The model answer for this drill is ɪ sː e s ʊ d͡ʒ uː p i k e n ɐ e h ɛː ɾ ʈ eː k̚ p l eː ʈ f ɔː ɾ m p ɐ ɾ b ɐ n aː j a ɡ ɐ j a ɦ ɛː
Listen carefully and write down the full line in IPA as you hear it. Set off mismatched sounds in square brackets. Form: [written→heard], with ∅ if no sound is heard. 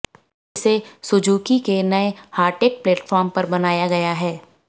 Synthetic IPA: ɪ [sː→s] e s ʊ d͡ʒ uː [p→k] i k e n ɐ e h [ɛː→aː] ɾ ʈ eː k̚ p l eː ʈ f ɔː ɾ m p ɐ ɾ b ɐ n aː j a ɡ ɐ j a ɦ ɛː